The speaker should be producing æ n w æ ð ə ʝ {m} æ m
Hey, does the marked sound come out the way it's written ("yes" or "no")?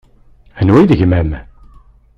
yes